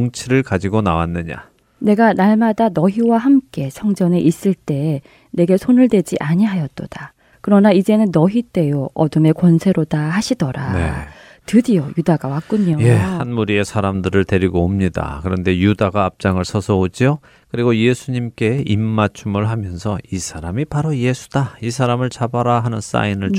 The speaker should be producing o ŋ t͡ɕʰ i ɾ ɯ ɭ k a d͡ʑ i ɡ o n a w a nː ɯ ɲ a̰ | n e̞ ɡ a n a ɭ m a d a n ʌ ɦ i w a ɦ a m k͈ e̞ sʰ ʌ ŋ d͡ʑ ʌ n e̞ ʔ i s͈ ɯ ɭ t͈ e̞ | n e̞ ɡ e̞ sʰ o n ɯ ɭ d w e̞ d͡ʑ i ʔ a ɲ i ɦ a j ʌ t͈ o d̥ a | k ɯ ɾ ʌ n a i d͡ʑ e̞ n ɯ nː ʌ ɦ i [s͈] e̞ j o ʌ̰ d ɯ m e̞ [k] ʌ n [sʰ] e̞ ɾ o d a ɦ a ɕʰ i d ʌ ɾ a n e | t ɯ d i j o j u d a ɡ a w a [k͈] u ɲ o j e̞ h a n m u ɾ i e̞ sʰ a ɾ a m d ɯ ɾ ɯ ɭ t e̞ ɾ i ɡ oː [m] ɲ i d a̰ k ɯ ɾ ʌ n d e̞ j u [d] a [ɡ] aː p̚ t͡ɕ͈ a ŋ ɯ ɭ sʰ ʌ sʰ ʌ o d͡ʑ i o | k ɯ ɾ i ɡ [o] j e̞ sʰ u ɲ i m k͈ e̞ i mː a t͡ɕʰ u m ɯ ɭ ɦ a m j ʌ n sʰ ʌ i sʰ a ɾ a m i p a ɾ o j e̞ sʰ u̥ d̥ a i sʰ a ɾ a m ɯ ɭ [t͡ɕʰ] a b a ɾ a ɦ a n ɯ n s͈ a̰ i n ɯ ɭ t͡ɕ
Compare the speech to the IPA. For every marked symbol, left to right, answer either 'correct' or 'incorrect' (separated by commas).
incorrect, correct, correct, correct, correct, correct, correct, correct, incorrect